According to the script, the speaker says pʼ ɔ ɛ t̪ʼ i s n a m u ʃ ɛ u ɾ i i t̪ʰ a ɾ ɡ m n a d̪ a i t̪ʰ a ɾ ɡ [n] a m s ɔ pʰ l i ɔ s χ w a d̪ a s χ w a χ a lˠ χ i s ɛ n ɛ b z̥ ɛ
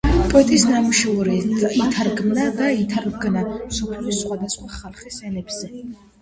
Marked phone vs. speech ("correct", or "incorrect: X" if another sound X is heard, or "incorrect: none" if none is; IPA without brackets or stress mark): correct